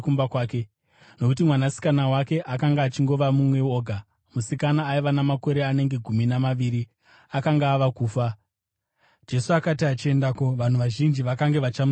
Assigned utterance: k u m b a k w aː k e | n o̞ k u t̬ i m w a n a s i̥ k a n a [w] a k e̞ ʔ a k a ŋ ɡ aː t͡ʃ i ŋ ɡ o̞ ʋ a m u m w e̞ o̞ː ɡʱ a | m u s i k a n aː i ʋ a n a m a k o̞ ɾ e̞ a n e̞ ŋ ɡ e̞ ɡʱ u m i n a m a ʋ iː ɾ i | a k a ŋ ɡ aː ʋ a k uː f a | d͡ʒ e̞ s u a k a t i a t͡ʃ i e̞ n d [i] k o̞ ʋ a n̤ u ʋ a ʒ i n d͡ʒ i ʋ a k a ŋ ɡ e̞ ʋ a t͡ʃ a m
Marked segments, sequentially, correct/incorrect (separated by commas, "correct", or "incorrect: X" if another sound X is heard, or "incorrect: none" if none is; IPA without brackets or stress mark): correct, incorrect: a